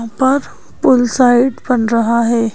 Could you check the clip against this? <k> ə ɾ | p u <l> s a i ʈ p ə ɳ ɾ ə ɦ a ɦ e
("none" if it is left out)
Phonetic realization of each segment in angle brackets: p, l

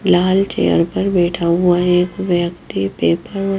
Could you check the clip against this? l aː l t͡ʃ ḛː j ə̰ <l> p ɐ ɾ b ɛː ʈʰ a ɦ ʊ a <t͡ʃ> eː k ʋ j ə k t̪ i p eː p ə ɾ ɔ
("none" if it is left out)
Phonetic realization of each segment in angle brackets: ɾ, none

